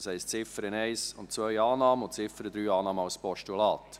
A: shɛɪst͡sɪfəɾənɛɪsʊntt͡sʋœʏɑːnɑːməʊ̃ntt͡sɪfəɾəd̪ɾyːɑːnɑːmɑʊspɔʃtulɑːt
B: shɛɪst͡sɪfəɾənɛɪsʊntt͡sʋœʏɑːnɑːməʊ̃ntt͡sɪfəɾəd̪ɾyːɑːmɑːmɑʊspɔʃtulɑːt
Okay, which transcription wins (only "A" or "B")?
A